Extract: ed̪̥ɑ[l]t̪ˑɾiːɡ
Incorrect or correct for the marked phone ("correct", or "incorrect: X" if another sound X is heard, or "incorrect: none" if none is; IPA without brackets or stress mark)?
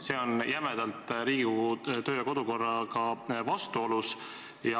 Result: correct